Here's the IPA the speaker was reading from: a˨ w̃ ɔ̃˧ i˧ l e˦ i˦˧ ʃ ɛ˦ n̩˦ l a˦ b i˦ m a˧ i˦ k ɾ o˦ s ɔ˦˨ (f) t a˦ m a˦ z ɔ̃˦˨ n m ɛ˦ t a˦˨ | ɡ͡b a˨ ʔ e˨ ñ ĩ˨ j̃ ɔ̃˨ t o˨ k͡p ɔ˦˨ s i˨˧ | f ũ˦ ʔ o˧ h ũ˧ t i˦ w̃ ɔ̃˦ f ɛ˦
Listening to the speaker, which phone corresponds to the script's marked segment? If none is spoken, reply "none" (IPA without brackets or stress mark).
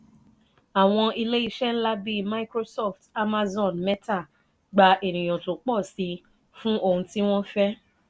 f